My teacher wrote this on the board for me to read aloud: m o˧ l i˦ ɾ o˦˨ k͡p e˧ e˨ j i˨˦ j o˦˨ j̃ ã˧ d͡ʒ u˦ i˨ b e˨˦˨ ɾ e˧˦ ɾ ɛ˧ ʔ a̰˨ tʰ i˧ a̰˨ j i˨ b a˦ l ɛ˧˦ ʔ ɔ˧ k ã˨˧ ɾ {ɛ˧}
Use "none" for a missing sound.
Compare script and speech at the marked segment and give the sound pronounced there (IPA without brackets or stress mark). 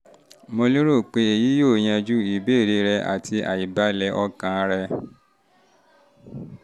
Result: ɛ˧